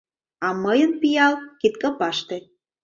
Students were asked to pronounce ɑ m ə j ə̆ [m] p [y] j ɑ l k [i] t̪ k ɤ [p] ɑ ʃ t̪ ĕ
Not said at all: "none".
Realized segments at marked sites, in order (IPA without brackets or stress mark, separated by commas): n, i, i, p